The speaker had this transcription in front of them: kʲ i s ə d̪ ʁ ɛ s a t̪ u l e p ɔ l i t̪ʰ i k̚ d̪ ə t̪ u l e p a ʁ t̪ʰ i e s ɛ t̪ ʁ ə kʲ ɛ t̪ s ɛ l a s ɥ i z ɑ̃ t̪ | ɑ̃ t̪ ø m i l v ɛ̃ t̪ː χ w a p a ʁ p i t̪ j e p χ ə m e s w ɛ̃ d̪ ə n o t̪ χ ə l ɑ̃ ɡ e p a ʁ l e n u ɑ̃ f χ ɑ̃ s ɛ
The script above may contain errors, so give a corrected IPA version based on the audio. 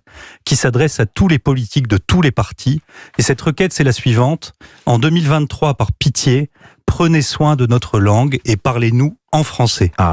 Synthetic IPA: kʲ i s a d̪ ʁ ɛ s a t̪ u l e p ɔ l i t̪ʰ i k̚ d̪ ə t̪ u l e p a ʁ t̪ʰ i e s ɛ t̪ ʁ ə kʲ ɛ t̪ s ɛ l a s ɥ i v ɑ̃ t̪ | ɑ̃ d̪ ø m i l v ɛ̃ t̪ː χ w a p a ʁ p i t̪ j e p χ ə n e s w ɛ̃ d̪ ə n ɔ t̪ χ ə l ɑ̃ ɡ e p a ʁ l e n u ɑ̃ f χ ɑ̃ s ɛ